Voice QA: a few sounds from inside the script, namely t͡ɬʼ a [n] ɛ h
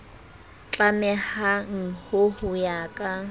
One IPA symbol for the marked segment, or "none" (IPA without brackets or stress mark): m